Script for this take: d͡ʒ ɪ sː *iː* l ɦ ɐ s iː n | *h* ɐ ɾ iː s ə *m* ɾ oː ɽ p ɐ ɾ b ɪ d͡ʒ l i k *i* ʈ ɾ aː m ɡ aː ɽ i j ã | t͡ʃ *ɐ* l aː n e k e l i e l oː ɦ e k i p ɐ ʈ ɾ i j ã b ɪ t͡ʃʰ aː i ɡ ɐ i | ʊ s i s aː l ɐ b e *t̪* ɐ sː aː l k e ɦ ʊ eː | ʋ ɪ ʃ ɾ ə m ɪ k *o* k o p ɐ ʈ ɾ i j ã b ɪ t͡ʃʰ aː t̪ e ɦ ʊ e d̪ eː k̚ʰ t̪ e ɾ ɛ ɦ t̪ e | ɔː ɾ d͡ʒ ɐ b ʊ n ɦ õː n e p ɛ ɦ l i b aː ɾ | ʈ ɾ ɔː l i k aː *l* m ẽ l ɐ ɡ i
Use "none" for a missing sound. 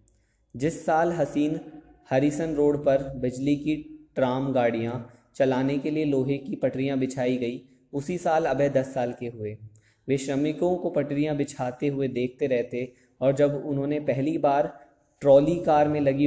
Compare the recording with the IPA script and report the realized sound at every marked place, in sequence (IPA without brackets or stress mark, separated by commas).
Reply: aː, h, n, i, ɐ, d̪, õ, ɾ